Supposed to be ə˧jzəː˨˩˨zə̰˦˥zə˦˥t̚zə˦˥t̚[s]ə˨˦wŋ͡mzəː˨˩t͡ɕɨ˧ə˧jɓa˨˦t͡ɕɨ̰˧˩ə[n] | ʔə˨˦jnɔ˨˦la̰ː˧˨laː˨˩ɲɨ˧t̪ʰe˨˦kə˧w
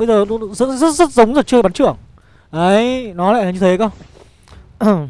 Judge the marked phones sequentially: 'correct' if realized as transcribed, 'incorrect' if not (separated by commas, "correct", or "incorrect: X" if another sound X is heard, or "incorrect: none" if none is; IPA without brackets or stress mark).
incorrect: z, incorrect: ŋ